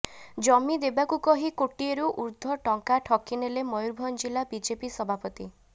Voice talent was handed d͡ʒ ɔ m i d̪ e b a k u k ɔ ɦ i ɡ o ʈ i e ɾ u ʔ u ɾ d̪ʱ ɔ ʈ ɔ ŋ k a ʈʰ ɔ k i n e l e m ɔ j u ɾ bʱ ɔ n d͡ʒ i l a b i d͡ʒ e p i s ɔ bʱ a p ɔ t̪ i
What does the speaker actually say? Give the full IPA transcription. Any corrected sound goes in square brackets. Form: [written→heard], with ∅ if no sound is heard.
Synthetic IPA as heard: d͡ʒ ɔ m i d̪ e b a k u k ɔ ɦ i [ɡ→k] o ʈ i e ɾ u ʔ u ɾ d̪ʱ ɔ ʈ ɔ ŋ k a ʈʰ ɔ k i n e l e m ɔ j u ɾ bʱ ɔ n d͡ʒ i l a b i d͡ʒ e p i s ɔ bʱ a p ɔ t̪ i